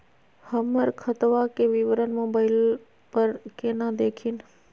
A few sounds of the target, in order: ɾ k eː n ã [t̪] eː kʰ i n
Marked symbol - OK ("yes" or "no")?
no